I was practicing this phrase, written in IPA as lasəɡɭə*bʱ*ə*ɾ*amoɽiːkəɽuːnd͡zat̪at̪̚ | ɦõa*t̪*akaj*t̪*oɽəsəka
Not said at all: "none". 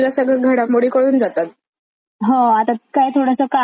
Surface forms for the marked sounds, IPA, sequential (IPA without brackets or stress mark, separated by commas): ɡʱ, ɽ, t̪, t̪ʰ